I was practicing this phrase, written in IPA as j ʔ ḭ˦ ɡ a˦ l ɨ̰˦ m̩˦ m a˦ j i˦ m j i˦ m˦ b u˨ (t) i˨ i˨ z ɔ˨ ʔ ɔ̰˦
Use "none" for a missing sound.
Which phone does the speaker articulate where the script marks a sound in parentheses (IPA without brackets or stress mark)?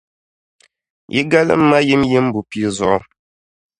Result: p